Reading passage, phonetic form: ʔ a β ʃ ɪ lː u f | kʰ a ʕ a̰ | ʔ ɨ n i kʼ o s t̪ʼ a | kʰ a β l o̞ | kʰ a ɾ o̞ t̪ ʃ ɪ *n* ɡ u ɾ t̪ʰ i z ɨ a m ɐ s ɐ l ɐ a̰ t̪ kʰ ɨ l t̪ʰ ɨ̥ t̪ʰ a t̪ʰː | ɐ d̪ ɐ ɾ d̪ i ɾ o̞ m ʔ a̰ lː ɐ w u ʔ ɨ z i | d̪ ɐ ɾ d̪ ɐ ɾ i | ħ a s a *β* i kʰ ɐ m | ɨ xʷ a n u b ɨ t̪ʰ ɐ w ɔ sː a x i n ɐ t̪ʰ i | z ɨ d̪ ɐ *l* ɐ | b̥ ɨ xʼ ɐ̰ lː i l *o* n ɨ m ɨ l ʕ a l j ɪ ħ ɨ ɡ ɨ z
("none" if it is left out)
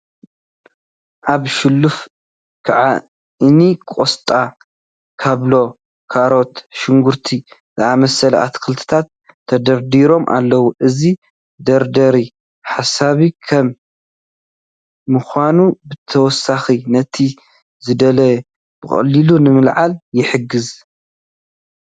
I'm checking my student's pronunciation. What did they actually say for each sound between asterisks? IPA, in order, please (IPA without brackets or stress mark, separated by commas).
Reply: ŋ, β, l, u